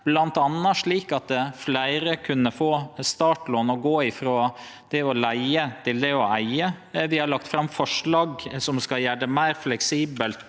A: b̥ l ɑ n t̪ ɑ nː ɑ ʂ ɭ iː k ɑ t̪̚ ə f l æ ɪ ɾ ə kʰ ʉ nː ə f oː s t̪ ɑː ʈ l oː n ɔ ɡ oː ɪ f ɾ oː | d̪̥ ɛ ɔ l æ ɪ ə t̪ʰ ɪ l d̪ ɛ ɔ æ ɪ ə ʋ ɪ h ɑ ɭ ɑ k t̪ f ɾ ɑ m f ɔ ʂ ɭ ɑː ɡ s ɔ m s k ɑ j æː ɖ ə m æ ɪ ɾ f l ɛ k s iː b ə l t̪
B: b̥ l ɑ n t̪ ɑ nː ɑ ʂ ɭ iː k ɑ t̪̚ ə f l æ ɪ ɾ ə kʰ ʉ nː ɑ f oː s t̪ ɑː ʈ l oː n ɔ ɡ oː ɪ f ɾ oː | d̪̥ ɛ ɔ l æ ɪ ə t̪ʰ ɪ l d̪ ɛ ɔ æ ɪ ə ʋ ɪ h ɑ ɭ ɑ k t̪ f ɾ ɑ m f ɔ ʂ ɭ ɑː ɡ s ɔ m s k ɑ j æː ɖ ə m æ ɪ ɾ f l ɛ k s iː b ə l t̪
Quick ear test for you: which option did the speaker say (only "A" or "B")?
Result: A